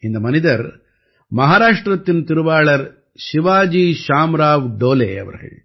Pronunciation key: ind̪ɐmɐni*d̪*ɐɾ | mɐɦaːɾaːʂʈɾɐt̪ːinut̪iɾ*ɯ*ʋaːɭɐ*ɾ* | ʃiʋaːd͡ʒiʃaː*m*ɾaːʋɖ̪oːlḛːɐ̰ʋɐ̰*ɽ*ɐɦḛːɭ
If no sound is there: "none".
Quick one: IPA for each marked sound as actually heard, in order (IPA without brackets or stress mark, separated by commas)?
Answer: d̪, u, ɾ, m, ɾ